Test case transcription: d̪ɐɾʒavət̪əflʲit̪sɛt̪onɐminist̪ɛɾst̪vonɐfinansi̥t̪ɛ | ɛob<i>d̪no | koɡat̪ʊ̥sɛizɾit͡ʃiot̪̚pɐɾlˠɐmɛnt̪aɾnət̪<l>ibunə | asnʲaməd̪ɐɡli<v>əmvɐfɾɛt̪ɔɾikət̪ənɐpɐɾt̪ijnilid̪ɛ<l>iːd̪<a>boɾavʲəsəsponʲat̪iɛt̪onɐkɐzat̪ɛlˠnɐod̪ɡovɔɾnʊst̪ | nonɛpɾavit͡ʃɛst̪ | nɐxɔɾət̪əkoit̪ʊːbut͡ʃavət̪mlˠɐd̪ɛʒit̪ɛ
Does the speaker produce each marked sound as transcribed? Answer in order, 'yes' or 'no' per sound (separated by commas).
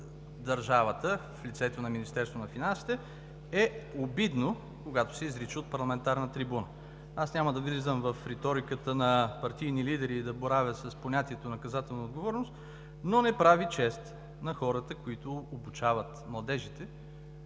yes, no, no, no, no